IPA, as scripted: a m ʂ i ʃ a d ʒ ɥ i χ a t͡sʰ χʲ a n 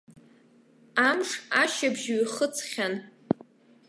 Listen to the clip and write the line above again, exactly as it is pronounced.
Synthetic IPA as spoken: a m ʂ a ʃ a b ʒ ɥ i χ ə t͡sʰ χʲ a n